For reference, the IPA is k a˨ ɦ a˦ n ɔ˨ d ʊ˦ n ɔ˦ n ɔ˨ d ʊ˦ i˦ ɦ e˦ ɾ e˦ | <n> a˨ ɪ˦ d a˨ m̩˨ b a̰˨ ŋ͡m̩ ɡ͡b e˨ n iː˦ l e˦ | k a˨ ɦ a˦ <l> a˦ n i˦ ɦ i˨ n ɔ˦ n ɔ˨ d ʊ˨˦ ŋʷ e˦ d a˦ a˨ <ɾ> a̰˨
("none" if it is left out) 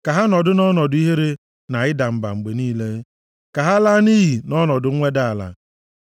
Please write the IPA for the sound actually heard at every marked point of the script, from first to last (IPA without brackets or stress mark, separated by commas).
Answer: n, l, l